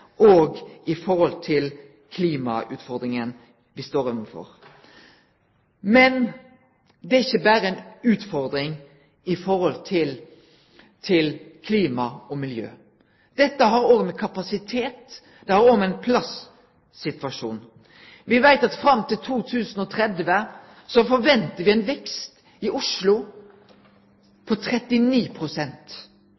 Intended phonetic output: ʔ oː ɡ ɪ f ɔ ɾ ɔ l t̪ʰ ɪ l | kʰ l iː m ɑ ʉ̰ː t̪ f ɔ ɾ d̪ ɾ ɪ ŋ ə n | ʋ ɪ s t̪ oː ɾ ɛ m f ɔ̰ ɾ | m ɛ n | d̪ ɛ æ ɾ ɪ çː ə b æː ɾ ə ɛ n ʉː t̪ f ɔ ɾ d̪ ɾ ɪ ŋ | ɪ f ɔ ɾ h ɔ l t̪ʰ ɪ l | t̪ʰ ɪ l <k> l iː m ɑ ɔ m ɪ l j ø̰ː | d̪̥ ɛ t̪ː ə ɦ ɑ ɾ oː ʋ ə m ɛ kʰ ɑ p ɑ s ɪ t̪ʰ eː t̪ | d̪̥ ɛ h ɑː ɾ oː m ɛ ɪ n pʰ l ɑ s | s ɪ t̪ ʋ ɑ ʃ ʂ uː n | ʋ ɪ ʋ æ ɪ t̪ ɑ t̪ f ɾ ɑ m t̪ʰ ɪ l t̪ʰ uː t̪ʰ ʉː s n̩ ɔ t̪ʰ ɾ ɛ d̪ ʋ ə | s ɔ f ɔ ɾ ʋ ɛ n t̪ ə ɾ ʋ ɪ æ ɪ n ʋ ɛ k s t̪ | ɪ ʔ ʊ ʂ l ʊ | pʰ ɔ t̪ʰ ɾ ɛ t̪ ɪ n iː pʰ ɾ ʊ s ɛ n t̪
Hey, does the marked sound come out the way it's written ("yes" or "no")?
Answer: no